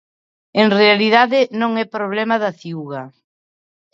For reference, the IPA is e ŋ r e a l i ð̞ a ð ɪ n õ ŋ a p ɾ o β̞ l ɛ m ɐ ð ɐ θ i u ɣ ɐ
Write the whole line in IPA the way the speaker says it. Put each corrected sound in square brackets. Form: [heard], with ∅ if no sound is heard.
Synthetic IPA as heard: e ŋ r e a l i ð̞ a ð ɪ n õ ŋ [ɛ] p ɾ o β̞ l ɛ m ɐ ð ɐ θ i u ɣ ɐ